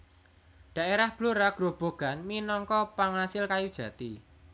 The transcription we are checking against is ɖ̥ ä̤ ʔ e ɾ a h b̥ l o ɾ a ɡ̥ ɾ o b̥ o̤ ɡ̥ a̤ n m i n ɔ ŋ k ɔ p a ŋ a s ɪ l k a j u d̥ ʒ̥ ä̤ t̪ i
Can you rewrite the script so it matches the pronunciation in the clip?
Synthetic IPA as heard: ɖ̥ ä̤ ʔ e ɾ a h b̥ l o ɾ a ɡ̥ ɾ o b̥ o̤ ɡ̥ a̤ n m i n ɔ ŋ k ɔ p a ŋ a s ɪ l k a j u d̥ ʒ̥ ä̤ t̪ i